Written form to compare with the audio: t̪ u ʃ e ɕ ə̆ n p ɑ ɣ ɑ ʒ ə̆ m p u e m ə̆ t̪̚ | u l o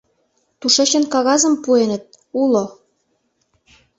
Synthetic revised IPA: t̪ u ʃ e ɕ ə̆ n k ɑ ɣ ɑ z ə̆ m p u e n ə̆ t̪̚ | u l o